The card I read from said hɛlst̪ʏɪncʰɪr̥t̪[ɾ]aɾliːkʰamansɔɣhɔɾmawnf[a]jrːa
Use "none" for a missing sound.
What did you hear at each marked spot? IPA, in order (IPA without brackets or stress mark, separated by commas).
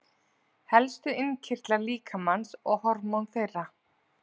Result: l, e